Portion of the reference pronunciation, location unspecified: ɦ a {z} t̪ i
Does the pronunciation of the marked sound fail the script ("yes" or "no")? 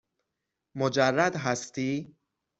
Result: yes